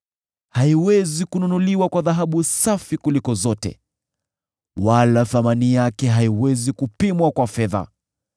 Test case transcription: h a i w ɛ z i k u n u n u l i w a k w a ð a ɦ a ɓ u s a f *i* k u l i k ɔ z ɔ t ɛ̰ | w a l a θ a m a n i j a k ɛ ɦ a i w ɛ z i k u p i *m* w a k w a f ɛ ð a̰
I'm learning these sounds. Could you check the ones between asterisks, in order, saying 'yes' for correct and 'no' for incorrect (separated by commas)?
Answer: yes, yes